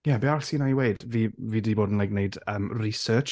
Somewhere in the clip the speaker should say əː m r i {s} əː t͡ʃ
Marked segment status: correct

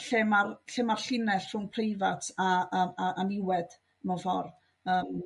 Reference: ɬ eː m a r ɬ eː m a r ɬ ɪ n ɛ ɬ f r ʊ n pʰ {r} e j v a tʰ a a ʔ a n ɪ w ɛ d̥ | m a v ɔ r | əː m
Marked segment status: correct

